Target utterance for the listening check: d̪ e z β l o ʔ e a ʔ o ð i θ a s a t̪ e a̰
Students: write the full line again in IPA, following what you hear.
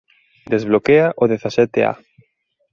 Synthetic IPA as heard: d̪ e z β l o k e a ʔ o ð e θ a s ɛ t̪ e a̰